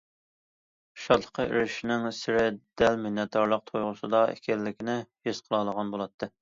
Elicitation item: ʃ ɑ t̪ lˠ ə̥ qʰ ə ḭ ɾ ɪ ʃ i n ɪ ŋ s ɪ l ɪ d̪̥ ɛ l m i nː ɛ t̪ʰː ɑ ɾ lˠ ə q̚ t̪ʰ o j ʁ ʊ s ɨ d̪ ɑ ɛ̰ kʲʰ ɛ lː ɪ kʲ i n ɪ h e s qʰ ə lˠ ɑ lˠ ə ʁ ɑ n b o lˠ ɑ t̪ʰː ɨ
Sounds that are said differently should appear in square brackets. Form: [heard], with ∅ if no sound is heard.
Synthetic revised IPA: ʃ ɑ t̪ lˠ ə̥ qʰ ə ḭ ɾ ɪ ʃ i n ɪ ŋ s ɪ [ɾ] ɪ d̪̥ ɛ l m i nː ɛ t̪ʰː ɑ ɾ lˠ ə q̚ t̪ʰ o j ʁ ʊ s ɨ d̪ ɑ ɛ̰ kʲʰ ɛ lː ɪ kʲ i n ɪ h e s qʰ ə lˠ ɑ lˠ ə ʁ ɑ n b o lˠ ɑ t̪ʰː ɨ